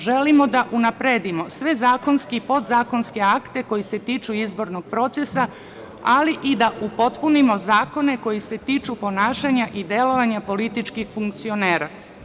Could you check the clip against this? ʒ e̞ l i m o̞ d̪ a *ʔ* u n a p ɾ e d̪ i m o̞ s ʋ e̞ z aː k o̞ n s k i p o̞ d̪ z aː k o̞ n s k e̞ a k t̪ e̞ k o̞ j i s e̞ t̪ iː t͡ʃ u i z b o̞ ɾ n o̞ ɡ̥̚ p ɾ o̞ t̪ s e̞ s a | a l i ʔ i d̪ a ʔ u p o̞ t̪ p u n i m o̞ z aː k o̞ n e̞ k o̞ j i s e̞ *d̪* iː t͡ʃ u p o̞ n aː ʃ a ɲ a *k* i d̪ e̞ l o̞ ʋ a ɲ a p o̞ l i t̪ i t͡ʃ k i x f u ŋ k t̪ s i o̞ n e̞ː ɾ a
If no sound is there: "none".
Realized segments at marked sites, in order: ʔ, t̪, ʔ

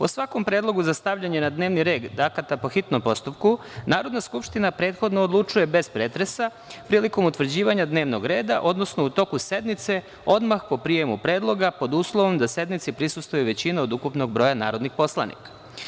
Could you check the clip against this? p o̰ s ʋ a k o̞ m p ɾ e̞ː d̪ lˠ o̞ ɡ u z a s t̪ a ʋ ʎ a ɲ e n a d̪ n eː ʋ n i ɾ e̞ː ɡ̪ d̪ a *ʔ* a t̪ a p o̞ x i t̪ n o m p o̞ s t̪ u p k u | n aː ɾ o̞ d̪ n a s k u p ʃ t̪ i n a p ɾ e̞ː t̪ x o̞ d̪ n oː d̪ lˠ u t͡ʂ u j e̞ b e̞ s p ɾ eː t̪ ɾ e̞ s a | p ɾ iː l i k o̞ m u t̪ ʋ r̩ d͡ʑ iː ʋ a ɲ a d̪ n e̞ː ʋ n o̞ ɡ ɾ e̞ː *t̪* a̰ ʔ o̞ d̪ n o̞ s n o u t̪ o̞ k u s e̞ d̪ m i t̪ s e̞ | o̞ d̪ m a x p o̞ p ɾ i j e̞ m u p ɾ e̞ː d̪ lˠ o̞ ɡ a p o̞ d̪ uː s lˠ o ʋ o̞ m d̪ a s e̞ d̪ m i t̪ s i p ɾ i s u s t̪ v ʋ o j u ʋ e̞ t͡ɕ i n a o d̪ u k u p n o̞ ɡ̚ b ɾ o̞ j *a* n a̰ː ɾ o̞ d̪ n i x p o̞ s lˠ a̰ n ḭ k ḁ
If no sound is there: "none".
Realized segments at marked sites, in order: k, d̪, a

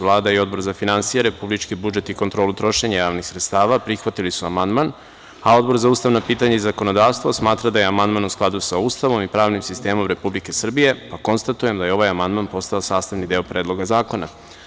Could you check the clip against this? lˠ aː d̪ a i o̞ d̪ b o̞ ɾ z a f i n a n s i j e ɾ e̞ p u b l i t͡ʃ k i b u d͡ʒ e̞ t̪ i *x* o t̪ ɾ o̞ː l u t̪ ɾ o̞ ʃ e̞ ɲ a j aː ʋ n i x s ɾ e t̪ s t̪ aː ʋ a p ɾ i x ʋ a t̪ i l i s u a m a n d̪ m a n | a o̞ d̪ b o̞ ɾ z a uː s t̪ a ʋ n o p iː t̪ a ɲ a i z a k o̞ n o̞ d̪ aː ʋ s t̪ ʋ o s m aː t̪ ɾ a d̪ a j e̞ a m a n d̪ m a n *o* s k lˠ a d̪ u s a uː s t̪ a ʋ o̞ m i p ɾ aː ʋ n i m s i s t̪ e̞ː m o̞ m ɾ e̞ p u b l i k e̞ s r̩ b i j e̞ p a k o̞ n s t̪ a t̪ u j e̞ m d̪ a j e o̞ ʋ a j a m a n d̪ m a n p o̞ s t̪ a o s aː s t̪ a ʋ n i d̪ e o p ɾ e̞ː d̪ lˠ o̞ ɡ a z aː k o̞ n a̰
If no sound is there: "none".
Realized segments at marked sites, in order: k, u

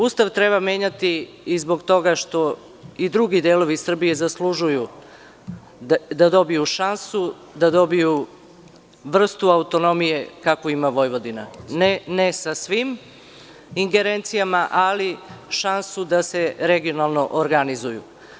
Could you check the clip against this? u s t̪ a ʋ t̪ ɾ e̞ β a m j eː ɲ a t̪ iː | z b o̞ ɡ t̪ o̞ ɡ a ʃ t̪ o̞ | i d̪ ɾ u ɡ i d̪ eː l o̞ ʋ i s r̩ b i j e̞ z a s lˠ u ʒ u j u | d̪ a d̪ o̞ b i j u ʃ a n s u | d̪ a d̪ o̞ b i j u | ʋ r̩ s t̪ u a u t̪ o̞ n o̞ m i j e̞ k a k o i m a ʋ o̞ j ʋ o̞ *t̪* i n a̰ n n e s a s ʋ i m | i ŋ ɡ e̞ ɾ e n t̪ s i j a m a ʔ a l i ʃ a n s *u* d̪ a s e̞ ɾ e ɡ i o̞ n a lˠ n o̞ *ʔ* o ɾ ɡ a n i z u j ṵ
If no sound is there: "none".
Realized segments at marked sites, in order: d̪, u, ʔ

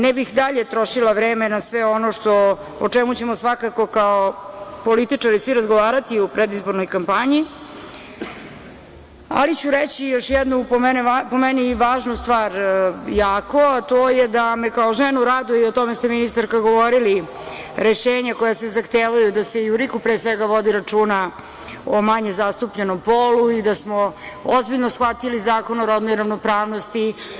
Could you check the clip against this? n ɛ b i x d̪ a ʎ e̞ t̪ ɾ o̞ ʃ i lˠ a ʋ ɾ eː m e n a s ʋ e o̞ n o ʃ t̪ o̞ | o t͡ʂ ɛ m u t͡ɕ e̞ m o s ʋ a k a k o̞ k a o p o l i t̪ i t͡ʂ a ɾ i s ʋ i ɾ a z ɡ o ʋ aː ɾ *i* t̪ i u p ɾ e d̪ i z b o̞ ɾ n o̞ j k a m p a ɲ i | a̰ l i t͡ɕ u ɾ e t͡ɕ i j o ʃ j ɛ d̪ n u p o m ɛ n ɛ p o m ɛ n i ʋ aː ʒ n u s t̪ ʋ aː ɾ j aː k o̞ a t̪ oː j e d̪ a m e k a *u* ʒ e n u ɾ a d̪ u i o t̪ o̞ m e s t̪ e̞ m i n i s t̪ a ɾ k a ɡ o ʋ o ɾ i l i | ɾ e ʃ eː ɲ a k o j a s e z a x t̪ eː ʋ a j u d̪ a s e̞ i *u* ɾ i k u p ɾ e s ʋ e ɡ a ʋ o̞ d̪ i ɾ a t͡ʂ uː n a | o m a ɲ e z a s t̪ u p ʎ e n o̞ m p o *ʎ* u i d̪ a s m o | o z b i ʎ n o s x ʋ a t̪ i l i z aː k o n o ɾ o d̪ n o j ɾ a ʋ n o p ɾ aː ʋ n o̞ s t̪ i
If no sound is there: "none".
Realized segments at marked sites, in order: a, o, u, l

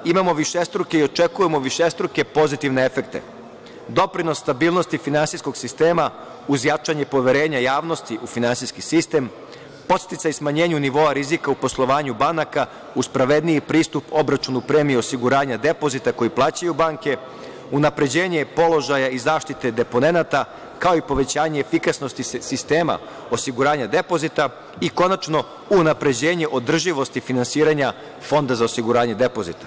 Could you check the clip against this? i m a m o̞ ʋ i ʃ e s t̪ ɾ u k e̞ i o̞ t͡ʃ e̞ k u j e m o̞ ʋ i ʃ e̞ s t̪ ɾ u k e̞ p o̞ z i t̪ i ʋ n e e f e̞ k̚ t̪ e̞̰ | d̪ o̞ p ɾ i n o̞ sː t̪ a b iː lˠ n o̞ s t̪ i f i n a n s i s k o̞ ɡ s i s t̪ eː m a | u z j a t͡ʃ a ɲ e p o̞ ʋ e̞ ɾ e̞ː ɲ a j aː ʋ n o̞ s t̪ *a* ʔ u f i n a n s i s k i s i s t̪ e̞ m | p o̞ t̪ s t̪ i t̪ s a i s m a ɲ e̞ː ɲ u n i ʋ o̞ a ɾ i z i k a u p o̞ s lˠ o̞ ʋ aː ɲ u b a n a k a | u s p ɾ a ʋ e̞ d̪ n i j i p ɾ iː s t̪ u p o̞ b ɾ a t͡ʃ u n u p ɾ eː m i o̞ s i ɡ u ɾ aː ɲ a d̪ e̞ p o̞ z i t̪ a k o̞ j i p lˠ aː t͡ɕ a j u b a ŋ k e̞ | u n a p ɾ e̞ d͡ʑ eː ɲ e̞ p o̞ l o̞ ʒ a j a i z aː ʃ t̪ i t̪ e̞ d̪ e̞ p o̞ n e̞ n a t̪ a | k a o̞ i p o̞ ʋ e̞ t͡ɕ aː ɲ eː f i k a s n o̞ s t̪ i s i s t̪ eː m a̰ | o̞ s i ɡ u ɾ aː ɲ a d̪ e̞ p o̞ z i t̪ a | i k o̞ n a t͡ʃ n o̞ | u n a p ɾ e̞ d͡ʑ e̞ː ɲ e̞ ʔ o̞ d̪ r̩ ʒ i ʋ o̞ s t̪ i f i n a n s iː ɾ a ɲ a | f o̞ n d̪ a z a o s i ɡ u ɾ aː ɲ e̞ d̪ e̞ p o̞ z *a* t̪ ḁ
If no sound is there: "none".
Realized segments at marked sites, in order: i, i

